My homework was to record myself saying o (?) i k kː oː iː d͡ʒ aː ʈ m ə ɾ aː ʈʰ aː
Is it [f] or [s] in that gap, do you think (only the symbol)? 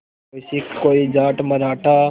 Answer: s